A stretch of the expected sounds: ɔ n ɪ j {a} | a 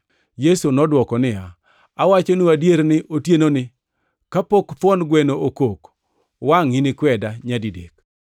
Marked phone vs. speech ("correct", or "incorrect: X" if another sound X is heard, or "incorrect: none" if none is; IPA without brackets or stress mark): correct